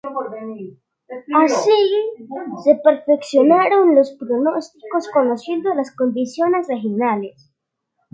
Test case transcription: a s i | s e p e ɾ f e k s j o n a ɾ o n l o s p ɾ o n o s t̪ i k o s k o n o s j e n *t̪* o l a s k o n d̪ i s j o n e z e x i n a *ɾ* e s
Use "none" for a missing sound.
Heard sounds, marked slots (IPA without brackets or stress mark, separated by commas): d̪, l